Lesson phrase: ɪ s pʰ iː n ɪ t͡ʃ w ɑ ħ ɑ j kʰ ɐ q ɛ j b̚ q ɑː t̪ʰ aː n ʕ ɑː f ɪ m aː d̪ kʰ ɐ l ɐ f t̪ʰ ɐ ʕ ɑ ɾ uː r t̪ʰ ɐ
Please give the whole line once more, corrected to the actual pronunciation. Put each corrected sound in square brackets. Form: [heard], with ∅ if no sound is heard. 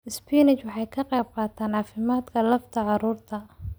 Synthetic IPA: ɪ s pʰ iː n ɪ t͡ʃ w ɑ ħ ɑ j kʰ ɐ q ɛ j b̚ q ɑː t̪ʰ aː n ʕ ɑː f ɪ m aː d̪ kʰ ɐ l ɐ f t̪ʰ ɐ ʕ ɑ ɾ uː r t̪ʰ ɐ